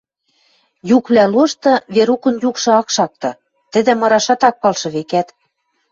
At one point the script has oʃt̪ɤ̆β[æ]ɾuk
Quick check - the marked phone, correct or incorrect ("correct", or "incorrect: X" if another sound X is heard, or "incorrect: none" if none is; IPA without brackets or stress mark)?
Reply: incorrect: e